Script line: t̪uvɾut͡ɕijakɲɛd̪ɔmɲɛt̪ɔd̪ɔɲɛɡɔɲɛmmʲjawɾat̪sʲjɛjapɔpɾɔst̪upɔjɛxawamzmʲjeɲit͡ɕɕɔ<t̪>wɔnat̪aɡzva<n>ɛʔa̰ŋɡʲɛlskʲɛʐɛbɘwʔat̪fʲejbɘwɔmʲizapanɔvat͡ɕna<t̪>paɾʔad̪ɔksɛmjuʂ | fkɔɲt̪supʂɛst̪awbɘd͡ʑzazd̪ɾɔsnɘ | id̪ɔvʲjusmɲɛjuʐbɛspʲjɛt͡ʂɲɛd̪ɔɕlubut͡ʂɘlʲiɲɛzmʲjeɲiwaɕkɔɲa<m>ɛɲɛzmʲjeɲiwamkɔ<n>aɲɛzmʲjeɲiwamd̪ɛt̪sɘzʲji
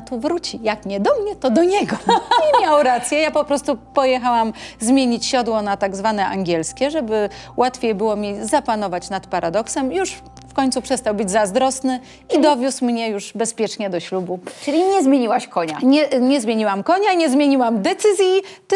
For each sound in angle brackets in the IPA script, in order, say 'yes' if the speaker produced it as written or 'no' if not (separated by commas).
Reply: no, yes, yes, no, no